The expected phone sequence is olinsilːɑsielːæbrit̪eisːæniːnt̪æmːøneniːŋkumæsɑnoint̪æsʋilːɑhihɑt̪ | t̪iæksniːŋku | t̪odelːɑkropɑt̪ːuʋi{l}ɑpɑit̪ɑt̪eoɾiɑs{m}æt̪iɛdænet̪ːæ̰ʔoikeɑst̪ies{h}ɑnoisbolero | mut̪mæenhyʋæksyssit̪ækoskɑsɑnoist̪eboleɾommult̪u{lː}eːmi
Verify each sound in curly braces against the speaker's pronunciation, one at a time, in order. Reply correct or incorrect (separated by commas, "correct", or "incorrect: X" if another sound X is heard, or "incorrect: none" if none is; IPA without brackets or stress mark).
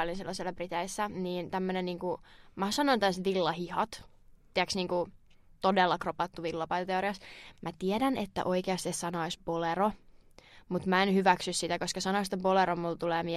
incorrect: lː, correct, incorrect: s, incorrect: l